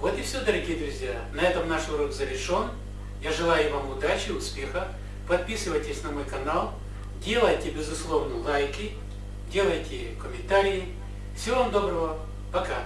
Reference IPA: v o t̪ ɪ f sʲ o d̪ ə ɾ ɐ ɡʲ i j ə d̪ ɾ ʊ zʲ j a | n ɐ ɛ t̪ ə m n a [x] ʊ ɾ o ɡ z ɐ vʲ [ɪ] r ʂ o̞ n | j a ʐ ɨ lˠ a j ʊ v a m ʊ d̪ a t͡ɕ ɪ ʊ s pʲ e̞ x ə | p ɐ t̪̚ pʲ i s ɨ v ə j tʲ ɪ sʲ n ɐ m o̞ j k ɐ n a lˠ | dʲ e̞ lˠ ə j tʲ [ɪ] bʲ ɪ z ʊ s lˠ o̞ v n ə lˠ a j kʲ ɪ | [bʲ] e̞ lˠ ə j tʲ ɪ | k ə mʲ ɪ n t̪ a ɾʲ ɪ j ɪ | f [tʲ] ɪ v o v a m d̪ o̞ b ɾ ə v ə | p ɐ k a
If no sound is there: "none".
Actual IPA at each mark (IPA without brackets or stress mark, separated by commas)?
ʂ, ɪ, ɪ, dʲ, sʲ